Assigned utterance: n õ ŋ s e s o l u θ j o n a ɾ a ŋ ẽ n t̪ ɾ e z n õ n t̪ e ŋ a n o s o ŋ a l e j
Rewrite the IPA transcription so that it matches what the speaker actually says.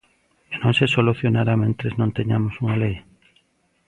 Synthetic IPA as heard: n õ ŋ s e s o l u θ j o n a ɾ a m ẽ n t̪ ɾ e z n õ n t̪ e ɲ a m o s u ŋ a l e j